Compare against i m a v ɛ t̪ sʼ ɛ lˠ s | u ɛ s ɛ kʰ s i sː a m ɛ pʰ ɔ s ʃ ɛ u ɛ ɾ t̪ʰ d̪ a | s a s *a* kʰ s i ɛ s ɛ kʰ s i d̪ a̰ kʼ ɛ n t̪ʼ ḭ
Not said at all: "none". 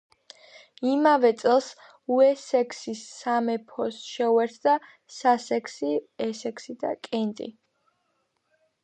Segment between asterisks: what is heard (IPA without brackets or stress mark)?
ɛ